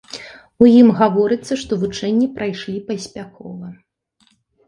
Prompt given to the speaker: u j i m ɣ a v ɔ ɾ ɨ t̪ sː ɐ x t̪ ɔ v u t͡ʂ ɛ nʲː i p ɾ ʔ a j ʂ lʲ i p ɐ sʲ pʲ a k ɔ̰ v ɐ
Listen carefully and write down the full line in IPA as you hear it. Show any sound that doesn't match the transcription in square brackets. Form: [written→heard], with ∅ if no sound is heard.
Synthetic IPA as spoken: u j i m ɣ a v ɔ ɾ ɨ t̪ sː ɐ [x→ʂ] t̪ ɔ v u t͡ʂ ɛ nʲː i p ɾ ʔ a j ʂ lʲ i p ɐ sʲ pʲ a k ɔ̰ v ɐ